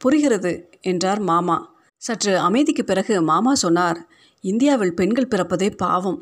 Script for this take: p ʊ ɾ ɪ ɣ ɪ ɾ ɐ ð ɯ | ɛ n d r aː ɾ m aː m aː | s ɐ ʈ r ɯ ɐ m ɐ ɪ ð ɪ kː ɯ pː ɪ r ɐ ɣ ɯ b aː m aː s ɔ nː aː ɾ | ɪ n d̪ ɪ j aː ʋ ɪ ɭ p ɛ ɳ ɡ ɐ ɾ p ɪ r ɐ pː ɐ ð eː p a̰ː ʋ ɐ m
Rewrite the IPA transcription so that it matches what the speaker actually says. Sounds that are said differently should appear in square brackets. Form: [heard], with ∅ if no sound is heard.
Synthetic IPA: p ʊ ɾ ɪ ɣ ɪ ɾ ɐ ð ɯ | ɛ n d r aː ɾ m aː m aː | s ɐ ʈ r ɯ ɐ m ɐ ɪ ð ɪ kː ɯ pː ɪ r ɐ ɣ ɯ [m] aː m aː s ɔ nː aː ɾ | ɪ n d̪ ɪ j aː ʋ ɪ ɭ p ɛ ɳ ɡ ɐ [ɭ] p ɪ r ɐ pː ɐ ð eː p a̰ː ʋ ɐ m